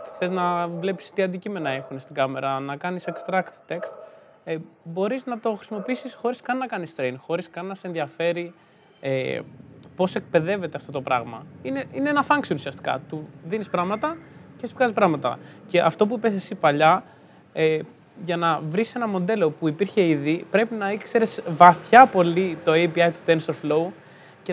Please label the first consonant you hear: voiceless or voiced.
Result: voiceless